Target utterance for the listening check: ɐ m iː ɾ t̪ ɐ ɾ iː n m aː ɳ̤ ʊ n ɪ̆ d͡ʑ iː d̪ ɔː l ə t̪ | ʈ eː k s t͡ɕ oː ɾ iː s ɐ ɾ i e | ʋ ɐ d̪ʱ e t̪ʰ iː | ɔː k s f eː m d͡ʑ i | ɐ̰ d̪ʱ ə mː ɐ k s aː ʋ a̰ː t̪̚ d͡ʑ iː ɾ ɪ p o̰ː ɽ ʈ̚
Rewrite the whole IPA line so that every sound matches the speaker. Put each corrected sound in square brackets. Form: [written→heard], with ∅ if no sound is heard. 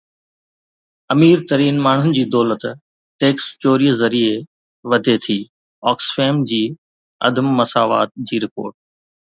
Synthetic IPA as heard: ɐ m iː ɾ t̪ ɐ ɾ iː n m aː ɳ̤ ʊ n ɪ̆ d͡ʑ iː d̪ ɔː l ə t̪ | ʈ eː k s t͡ɕ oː ɾ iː [s→z] ɐ ɾ i e | ʋ ɐ d̪ʱ e t̪ʰ iː | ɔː k s f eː m d͡ʑ [i→iː] | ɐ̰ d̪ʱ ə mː ɐ [k→∅] s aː ʋ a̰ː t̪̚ d͡ʑ iː ɾ ɪ p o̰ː [ɽ→ɾ] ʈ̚